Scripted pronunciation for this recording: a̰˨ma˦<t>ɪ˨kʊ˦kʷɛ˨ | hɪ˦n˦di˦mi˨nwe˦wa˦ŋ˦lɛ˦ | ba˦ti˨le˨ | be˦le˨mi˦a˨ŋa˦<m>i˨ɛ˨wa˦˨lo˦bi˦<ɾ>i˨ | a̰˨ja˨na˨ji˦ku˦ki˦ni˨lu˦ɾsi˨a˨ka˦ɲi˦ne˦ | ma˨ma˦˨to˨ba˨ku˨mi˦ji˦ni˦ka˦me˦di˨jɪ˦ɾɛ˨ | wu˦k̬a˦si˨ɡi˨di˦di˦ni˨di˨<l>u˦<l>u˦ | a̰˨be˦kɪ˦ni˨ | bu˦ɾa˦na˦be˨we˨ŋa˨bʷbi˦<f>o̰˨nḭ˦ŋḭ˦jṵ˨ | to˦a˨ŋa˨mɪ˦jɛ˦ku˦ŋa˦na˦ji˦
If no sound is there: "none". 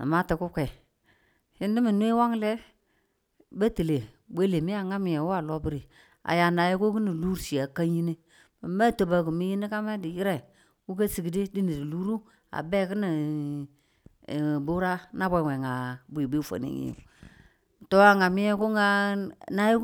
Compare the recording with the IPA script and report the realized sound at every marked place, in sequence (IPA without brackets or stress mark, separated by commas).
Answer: t, m, ɾ, l, ɾ, f